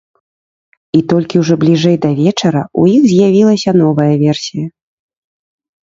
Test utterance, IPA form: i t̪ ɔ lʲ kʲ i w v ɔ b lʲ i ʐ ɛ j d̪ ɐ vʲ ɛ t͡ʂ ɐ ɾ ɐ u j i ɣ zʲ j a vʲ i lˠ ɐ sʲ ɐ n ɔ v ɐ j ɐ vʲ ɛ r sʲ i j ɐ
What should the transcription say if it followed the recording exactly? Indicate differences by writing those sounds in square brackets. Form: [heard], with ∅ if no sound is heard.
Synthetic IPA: i t̪ ɔ lʲ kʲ i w [ʐ] ɔ b lʲ i ʐ ɛ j d̪ ɐ vʲ ɛ t͡ʂ ɐ ɾ ɐ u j i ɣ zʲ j a vʲ i lˠ ɐ sʲ ɐ n ɔ v ɐ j ɐ vʲ ɛ r sʲ i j ɐ